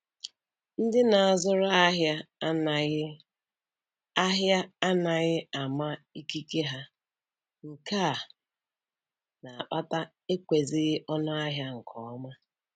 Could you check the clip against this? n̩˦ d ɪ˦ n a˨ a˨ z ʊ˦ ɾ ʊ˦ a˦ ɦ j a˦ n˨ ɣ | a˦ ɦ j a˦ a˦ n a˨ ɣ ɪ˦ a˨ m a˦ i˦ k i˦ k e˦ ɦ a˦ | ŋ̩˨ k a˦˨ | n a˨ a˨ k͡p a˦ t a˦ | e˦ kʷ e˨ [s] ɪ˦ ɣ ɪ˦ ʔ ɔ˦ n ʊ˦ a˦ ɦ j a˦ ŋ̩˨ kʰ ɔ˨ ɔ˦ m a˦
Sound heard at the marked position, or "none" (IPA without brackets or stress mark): z